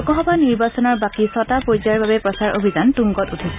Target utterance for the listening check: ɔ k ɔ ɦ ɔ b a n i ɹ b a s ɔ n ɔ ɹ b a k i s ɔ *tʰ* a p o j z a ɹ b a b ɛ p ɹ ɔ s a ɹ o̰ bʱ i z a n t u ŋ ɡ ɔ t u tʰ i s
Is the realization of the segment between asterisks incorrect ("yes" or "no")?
yes